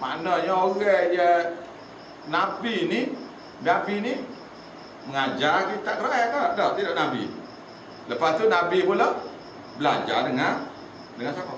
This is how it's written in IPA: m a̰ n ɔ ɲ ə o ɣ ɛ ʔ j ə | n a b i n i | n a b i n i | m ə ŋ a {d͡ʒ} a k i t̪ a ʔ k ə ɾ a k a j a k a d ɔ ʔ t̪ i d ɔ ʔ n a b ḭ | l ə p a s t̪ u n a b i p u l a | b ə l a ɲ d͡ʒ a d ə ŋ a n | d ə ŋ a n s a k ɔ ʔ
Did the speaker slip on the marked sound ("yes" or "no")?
no